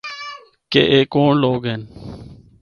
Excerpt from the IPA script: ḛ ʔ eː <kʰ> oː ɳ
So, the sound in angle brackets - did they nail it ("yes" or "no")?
no